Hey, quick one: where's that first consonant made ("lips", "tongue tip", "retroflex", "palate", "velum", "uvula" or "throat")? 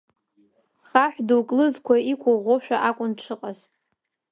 uvula